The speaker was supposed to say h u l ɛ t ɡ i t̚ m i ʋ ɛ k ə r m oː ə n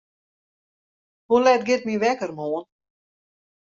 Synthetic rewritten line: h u l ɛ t ɡ ɪ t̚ m i ʋ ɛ k ə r m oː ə n